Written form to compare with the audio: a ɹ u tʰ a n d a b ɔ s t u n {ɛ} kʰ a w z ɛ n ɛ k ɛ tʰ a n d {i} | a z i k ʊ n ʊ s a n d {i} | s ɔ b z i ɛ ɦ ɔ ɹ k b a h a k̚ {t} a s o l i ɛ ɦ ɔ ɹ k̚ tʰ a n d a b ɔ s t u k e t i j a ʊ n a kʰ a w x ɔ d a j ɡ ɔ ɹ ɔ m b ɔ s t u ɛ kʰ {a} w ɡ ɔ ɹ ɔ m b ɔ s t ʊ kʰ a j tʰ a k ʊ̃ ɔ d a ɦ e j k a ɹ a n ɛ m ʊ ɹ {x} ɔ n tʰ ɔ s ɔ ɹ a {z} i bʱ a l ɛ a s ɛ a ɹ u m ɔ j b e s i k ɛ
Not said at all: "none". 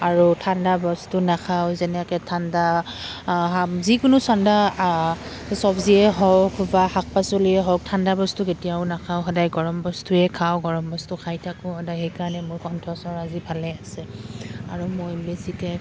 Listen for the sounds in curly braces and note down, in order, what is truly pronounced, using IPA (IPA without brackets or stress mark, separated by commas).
a, a, a, p, a, k, z